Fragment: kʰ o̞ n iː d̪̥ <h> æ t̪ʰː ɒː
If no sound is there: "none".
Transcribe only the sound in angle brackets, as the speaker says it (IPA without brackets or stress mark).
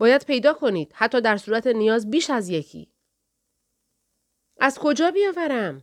h